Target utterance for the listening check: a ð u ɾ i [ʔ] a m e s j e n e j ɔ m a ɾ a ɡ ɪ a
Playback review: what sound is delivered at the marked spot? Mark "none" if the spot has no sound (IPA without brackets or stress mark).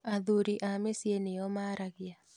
ʔ